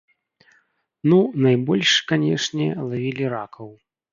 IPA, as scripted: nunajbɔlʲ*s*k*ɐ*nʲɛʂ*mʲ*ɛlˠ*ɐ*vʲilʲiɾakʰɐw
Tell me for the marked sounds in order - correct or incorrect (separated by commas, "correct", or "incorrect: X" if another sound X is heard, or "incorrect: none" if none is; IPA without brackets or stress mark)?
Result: incorrect: ʂ, incorrect: a, incorrect: nʲ, incorrect: a